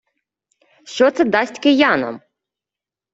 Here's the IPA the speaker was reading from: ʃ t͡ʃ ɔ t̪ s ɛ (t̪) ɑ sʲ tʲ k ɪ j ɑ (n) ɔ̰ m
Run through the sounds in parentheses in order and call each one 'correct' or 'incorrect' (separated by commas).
incorrect, correct